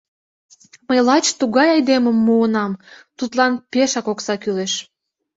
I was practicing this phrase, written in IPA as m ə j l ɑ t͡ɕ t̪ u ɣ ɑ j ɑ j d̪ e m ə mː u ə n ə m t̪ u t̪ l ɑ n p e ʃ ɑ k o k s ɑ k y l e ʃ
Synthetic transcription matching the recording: m ə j l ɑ t͡ɕ t̪ u ɣ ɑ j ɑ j d̪ e m ə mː u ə n ɑ m t̪ u t̪ l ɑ n p e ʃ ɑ k o k s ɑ k y l e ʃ